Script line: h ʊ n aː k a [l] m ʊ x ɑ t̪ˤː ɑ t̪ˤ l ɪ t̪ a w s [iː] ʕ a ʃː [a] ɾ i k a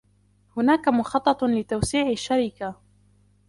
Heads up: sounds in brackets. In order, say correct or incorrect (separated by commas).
incorrect, correct, correct